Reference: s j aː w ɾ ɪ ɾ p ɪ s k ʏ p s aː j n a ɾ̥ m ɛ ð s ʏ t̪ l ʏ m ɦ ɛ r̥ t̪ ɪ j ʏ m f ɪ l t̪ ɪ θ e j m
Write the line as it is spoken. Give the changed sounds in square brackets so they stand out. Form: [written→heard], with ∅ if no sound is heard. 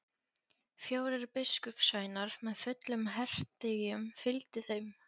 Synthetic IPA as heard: [s→f] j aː w ɾ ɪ ɾ p ɪ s k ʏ p s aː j n a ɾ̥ m ɛ ð [s→f] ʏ t̪ l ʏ m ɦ ɛ r̥ t̪ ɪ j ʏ m f ɪ l t̪ ɪ θ e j m